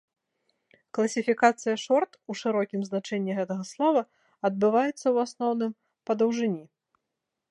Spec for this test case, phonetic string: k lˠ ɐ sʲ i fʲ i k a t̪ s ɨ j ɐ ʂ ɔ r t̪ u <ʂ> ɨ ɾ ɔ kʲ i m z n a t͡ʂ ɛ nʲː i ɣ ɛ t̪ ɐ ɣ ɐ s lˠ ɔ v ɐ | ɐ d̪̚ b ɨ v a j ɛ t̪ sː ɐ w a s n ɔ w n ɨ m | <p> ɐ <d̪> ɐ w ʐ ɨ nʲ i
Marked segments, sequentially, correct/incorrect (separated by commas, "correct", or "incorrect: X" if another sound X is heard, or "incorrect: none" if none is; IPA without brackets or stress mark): correct, correct, correct